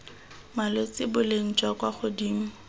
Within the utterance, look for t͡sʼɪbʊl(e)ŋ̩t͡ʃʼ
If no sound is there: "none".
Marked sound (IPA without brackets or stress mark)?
e